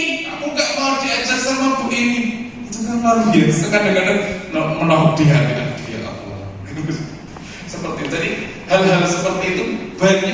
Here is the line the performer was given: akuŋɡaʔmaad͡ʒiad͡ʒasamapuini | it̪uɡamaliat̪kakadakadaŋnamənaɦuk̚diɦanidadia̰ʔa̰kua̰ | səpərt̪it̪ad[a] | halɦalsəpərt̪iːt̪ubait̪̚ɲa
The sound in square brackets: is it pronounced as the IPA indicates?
no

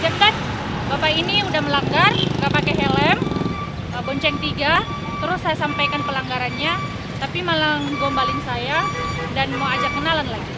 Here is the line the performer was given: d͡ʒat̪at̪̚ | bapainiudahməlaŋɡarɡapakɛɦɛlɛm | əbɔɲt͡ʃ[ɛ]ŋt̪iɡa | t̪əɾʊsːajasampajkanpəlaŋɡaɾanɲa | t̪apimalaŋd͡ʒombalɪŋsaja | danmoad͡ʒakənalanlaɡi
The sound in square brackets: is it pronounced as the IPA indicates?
yes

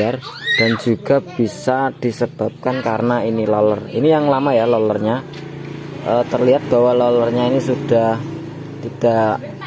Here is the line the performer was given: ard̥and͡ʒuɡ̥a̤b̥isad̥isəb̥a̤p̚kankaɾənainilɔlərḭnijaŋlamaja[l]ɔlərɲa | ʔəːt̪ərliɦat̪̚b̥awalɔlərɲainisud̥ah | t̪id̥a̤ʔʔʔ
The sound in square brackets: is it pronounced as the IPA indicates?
yes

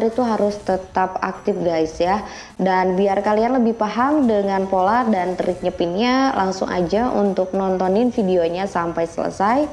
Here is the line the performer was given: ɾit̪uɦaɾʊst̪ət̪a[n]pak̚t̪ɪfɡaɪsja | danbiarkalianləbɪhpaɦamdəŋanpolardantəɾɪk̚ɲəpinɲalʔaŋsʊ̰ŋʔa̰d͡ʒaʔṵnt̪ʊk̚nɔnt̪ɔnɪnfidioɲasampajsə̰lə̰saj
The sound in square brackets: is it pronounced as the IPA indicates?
no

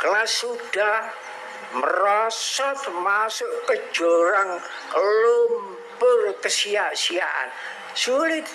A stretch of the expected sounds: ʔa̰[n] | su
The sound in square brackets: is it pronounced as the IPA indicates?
yes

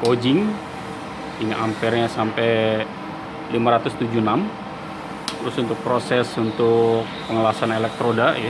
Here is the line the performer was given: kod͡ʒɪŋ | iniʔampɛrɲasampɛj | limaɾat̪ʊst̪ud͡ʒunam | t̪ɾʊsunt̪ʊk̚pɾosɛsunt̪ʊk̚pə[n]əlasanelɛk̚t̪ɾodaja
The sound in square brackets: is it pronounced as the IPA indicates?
no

